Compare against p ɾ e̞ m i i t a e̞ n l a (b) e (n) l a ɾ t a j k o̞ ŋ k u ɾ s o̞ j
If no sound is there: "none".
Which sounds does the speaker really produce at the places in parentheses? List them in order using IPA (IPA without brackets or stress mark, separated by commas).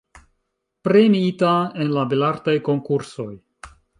b, none